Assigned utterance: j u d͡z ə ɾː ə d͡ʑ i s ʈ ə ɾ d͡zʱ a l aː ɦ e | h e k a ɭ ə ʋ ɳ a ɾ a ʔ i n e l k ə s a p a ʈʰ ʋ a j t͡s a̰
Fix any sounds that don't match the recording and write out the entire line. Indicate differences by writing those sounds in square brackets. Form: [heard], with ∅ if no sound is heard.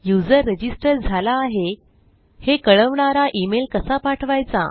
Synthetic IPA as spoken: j u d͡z ə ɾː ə d͡ʑ i s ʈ ə ɾ d͡zʱ a l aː ɦ e | h e k [ə] ɭ ə ʋ ɳ a ɾ a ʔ i [m] e l k ə s a p a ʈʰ ʋ a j t͡s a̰